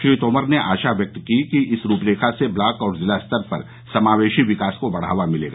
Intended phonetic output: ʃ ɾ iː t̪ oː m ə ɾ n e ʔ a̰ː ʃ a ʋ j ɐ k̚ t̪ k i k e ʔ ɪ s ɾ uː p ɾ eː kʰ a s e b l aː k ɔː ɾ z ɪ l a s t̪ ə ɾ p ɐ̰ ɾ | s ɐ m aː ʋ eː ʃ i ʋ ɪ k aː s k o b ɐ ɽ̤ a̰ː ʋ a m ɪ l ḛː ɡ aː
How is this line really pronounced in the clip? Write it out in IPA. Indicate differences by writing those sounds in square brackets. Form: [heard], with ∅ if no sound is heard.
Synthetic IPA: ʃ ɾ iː t̪ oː m ə ɾ n e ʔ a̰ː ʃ a ʋ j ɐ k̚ t̪ k i k [i] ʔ ɪ s ɾ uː p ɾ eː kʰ a s e b l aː k ɔː ɾ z ɪ l a s t̪ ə ɾ p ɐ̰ ɾ | s ɐ m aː ʋ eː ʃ i ʋ ɪ k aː s k o b ɐ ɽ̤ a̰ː ʋ a m ɪ l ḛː ɡ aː